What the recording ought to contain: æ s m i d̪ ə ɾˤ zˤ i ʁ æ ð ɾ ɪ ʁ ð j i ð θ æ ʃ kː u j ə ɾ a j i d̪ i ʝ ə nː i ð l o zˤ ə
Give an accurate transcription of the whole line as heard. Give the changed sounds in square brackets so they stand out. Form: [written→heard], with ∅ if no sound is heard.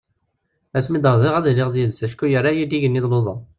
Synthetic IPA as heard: æ s m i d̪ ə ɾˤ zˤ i ʁ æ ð [ɾ→l] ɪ ʁ ð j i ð [θ→s] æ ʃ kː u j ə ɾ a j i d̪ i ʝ ə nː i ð l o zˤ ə